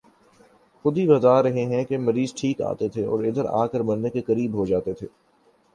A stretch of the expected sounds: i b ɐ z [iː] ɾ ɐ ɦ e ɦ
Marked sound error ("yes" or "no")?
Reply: yes